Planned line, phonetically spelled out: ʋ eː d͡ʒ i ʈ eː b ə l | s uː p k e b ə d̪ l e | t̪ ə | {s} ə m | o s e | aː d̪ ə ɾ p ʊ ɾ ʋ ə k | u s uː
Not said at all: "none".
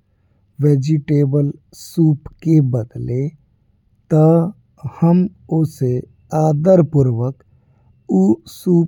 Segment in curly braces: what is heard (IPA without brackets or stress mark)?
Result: h